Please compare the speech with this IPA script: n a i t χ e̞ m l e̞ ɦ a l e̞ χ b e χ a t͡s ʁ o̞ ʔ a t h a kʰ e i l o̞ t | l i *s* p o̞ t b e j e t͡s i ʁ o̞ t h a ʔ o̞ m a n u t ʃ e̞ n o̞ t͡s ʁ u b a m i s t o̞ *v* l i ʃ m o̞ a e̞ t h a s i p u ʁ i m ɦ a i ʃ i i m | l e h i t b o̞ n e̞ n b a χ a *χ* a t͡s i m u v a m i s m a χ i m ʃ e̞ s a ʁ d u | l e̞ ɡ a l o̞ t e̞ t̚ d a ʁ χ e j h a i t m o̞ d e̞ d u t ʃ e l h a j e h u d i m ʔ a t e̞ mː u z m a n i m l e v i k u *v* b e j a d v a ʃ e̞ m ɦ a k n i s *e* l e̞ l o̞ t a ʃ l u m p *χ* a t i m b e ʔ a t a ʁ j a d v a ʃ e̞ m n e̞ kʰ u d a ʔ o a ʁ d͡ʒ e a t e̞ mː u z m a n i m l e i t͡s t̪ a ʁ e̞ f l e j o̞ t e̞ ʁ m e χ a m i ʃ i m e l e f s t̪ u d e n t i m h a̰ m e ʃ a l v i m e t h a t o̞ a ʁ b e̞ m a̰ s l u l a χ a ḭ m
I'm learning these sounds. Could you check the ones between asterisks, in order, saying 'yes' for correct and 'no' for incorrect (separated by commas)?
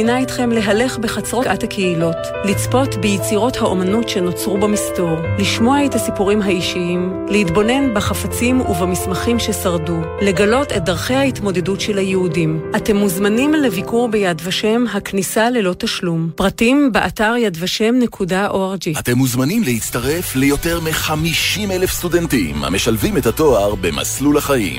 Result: no, no, no, no, no, no